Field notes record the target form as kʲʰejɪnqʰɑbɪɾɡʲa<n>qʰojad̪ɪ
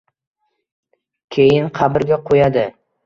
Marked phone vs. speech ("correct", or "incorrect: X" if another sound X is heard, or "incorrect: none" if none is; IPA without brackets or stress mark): incorrect: none